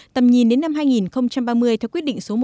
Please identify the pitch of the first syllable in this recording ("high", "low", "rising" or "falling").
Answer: low